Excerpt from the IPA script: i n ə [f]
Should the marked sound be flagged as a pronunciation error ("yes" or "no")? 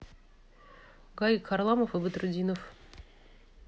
no